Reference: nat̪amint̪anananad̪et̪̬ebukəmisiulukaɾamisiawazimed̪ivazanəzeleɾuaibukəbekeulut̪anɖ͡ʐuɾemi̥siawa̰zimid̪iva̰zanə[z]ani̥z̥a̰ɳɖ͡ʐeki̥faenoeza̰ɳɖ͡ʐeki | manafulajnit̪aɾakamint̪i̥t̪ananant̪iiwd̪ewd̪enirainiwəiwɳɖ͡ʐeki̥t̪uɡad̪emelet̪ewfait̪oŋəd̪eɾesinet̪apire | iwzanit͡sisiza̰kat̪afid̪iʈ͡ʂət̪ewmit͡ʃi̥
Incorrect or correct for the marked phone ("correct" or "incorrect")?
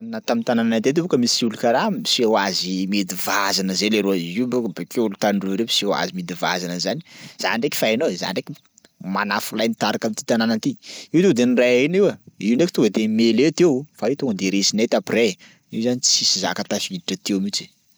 correct